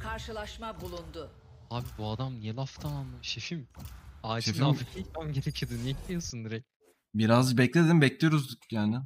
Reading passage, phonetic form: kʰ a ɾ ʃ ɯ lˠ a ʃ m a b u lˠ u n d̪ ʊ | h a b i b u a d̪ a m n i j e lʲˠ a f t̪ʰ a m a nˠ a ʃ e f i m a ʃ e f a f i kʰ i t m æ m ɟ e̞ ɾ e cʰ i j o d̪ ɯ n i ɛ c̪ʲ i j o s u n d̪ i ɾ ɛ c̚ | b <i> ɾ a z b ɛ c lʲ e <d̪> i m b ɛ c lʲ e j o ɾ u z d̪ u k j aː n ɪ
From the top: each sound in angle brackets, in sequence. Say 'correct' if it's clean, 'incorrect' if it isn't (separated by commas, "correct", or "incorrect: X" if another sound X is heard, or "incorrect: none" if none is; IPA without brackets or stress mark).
correct, correct